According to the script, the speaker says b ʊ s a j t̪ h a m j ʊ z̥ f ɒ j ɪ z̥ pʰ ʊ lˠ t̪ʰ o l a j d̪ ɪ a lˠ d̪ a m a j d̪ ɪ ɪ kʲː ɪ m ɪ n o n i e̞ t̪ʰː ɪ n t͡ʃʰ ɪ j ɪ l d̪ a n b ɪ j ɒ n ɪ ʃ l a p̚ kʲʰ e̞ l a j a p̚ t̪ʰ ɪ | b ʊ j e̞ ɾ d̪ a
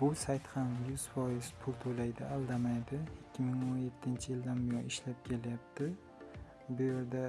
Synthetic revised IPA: b ʊ s a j t̪ h a m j ʊ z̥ f ɒ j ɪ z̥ pʰ ʊ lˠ t̪ʰ o l a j d̪ ɪ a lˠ d̪ a m a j d̪ ɪ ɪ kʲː ɪ m ɪ ŋ o n j e̞ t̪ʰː ɪ n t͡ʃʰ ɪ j ɪ l d̪ a n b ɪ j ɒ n ɪ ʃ l a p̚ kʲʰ e̞ l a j a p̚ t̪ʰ ɪ | b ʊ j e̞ ɾ d̪ a